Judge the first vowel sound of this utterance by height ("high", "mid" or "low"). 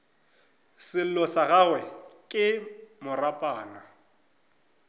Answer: high